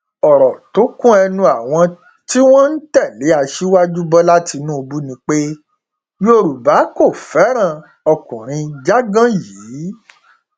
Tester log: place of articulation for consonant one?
alveolar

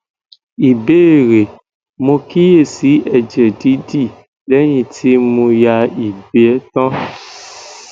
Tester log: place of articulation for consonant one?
labial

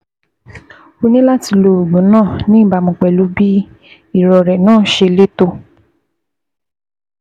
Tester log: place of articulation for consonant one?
alveolar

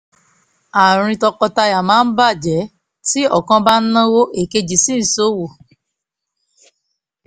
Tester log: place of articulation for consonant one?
alveolar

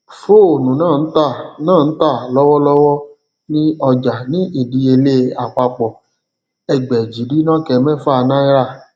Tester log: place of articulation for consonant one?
labial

